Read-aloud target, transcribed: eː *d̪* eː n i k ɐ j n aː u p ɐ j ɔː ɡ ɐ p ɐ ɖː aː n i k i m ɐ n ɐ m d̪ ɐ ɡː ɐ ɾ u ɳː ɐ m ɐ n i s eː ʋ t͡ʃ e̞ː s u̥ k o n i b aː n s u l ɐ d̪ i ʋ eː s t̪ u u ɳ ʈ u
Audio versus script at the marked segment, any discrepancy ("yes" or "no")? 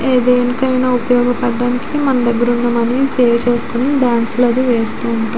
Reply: no